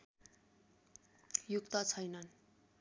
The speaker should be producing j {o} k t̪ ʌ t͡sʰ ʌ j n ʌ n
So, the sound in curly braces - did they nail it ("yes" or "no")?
no